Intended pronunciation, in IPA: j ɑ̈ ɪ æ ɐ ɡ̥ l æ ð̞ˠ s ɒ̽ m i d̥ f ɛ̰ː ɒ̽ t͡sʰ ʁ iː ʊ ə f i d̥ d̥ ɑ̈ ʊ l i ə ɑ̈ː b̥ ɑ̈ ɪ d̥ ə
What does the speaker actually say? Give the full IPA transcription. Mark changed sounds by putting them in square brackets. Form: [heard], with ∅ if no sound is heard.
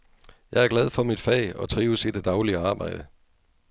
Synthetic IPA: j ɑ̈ ɪ æ ɐ ɡ̥ l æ ð̞ˠ [f] ɒ̽ m i d̥ f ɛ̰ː ɒ̽ t͡sʰ ʁ iː ʊ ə [s] i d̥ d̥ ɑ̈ ʊ l i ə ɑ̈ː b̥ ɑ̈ ɪ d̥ ə